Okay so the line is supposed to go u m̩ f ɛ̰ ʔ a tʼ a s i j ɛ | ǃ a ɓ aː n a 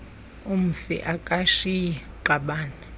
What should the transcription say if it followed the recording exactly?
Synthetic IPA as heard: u m̩ f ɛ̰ ʔ a kʼ a ʃ i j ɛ | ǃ a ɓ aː n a